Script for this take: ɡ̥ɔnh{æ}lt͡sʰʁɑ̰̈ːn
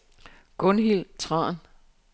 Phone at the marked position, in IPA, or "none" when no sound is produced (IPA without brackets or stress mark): i